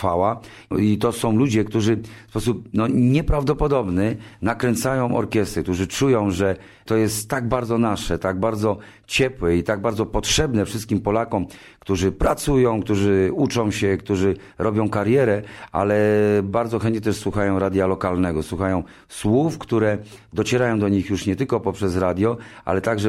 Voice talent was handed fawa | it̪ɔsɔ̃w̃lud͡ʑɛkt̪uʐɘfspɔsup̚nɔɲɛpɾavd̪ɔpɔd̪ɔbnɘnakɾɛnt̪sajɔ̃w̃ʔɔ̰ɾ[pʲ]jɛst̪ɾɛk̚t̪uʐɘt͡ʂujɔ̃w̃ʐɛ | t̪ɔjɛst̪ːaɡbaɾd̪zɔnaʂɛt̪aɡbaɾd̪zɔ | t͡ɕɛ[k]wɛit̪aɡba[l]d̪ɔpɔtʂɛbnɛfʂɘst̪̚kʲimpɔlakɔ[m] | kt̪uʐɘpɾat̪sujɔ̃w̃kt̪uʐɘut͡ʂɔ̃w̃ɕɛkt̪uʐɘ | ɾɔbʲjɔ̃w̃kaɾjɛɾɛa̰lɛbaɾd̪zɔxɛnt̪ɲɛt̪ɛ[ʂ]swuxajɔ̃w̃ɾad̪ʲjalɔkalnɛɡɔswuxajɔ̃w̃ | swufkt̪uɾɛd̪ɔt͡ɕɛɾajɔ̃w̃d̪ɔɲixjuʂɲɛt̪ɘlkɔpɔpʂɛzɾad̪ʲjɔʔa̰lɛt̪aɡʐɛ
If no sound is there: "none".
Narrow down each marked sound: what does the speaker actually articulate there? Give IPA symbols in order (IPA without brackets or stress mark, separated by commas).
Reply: kʲ, p, ɾ, m, ʂ